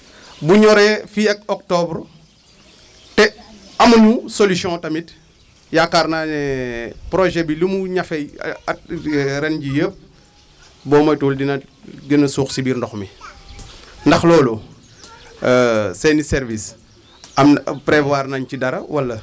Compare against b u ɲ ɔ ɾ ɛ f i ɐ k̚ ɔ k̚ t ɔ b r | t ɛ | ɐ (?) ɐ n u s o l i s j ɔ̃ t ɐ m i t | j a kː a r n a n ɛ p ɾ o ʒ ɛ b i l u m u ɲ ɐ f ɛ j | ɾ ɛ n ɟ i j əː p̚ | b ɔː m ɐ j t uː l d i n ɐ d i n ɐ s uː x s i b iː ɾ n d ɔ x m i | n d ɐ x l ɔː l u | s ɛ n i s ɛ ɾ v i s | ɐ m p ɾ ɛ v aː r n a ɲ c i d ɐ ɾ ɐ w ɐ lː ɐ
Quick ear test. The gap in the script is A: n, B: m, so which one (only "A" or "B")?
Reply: B